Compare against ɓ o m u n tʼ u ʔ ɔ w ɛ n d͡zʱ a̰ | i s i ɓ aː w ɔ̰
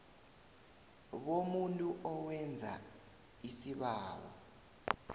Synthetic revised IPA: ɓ o m u n tʼ u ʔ ɔ w ɛ n d͡zʱ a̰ | i s i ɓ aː w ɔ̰